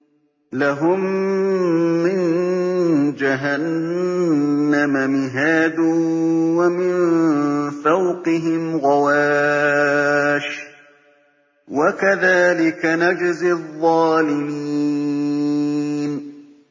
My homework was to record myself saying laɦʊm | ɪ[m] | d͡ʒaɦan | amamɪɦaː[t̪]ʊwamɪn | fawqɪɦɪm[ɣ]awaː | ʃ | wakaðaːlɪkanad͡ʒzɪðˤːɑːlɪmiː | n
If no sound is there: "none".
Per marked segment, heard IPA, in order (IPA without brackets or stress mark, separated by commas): n, d̪, ɣ